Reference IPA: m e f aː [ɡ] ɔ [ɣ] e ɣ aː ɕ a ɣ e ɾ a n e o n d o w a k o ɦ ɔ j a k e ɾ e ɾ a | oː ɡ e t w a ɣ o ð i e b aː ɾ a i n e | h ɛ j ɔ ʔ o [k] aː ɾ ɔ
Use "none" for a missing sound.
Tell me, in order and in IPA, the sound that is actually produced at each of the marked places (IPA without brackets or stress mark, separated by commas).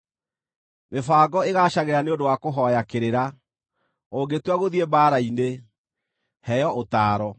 ɡ, none, t